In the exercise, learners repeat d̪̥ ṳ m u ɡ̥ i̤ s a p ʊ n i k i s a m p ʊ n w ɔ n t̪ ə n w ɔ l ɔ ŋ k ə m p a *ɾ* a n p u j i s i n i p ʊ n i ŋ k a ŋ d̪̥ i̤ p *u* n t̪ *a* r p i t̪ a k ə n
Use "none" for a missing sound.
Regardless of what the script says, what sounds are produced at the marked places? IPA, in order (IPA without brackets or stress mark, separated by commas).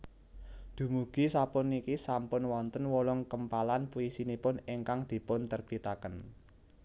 l, ʊ, ə